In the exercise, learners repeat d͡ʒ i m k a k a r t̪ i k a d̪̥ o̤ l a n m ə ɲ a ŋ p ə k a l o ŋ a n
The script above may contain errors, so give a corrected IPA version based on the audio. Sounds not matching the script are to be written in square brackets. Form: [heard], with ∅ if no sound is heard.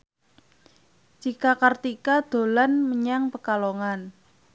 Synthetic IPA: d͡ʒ i [∅] k a k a r t̪ i k a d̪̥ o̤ l a n m ə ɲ a ŋ p ə k a l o ŋ a n